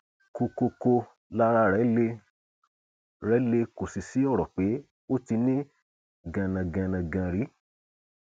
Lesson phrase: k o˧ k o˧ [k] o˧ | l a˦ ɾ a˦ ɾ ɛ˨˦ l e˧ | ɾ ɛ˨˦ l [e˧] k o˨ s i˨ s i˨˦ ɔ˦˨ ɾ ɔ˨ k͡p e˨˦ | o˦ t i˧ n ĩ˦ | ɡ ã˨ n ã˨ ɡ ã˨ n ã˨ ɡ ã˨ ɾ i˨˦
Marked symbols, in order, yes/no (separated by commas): yes, yes